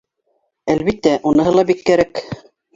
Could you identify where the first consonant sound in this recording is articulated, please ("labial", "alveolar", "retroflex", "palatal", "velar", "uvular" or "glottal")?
alveolar